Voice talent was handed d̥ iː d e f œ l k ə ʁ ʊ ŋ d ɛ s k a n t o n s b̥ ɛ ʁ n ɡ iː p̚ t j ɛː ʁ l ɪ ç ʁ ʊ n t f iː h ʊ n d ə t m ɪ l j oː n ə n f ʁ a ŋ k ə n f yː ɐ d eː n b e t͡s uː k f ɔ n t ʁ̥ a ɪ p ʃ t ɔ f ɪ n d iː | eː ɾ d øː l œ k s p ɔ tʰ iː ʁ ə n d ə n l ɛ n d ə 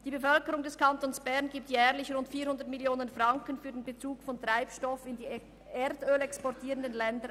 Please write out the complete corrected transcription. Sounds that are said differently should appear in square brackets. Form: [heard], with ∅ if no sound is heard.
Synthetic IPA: d̥ iː [b] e f œ l k ə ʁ ʊ ŋ d ɛ s k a n t o n s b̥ ɛ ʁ n ɡ iː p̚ t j ɛː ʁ l ɪ ç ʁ ʊ n t f iː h ʊ n d ə t m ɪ l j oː n ə n f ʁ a ŋ k ə n f yː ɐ d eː n b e t͡s uː k f ɔ n t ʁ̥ a ɪ p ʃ t ɔ f ɪ n d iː | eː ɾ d øː l [ɛ] k s p ɔ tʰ iː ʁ ə n d ə n l ɛ n d ə